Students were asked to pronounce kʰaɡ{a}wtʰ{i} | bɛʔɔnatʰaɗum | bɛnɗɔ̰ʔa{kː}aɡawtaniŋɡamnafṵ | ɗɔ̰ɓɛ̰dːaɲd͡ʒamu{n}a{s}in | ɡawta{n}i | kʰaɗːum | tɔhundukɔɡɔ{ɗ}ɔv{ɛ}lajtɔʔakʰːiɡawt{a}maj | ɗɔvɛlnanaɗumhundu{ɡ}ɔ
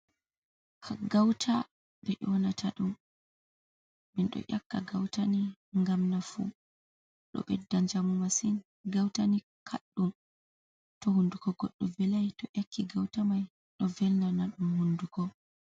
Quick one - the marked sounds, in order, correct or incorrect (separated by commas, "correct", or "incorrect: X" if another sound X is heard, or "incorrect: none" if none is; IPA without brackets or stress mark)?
correct, incorrect: a, correct, incorrect: m, correct, correct, incorrect: ɗː, correct, correct, incorrect: k